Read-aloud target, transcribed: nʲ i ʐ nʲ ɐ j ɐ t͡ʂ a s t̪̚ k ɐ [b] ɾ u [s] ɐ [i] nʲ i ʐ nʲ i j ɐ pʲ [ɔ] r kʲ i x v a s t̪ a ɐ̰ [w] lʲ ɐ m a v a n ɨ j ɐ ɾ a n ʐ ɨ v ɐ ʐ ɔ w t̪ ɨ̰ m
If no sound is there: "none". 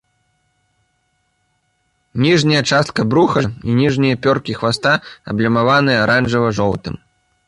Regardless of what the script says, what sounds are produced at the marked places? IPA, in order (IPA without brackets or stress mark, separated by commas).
b, x, i, ɔ, b